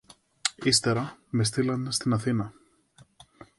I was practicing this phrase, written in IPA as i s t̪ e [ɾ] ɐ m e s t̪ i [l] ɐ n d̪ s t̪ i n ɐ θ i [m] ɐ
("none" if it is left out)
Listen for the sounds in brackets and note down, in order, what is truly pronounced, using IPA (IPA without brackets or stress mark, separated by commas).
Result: ɾ, l, n